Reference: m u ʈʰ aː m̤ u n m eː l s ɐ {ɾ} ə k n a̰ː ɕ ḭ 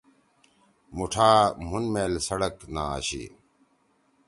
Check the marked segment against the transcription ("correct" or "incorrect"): incorrect